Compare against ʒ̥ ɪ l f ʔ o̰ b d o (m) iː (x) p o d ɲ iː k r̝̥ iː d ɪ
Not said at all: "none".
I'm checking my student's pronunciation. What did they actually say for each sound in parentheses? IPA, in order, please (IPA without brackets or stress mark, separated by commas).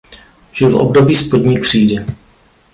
b, s